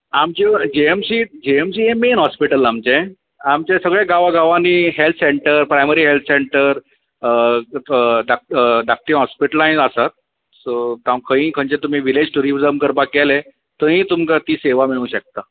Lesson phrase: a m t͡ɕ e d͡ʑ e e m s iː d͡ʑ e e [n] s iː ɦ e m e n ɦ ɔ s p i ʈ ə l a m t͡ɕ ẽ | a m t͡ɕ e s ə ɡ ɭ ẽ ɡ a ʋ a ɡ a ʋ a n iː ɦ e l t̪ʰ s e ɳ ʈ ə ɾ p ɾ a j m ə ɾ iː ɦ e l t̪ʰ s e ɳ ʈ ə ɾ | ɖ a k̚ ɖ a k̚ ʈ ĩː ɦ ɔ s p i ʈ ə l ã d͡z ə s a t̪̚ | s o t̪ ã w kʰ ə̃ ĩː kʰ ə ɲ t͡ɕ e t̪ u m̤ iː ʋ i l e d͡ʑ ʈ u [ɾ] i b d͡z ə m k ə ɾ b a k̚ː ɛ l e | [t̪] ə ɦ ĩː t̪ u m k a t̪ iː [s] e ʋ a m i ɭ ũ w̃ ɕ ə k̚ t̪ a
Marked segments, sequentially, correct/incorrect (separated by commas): incorrect, correct, correct, correct